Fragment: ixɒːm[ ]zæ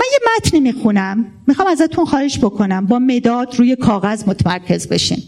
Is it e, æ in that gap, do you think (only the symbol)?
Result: æ